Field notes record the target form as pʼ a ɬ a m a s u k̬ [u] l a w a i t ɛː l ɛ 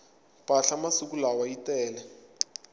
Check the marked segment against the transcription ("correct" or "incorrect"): correct